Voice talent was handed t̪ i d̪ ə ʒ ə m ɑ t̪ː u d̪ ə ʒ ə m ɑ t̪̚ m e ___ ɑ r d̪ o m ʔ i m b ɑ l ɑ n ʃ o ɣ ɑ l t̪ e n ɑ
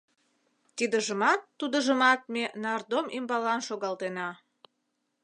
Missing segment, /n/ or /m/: n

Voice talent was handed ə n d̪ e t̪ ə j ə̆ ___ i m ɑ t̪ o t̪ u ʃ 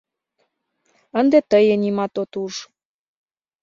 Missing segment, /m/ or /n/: n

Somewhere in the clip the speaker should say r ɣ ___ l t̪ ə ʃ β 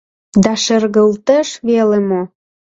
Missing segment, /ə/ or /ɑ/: ə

